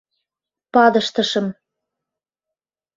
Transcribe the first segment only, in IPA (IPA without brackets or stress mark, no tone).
p